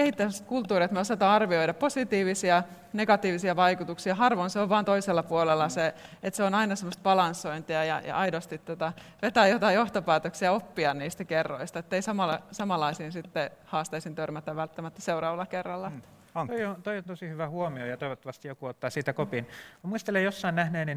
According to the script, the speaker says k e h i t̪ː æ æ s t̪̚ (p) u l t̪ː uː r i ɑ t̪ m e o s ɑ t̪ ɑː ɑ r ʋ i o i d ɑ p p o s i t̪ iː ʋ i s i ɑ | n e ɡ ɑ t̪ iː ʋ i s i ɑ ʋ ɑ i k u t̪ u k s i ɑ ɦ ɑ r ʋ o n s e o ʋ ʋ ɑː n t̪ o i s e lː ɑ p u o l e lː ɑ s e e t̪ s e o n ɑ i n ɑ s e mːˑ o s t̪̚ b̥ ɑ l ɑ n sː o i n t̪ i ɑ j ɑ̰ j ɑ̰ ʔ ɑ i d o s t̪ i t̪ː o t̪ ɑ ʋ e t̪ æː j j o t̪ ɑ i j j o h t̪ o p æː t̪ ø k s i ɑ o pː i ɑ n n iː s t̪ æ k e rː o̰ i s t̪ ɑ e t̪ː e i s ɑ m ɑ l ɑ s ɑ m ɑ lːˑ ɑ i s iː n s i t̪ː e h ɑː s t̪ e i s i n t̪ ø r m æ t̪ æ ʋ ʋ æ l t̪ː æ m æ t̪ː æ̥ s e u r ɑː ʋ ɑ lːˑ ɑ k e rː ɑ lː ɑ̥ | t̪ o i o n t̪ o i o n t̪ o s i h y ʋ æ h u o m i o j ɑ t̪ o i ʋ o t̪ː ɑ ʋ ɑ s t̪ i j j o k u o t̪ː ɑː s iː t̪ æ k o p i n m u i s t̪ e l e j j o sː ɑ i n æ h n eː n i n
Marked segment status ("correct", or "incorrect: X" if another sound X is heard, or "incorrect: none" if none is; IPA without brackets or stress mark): incorrect: k